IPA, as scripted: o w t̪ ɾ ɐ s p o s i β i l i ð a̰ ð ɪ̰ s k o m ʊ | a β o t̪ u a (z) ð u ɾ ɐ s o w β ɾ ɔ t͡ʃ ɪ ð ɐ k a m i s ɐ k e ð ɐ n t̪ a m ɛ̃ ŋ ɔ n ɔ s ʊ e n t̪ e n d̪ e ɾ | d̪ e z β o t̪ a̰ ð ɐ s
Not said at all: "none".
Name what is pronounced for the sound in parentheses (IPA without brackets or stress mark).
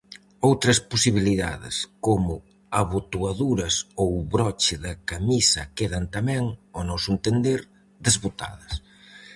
none